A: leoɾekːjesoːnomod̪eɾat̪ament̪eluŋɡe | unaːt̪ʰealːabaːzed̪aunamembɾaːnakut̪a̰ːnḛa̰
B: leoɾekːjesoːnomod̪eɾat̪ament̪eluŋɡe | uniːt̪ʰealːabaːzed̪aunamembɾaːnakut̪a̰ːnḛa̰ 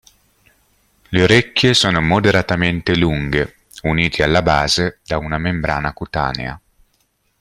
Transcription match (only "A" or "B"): B